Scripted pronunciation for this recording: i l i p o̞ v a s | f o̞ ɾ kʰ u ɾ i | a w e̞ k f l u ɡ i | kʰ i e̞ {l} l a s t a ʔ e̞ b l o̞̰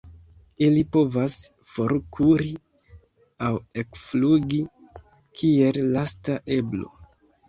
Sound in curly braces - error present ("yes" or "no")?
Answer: no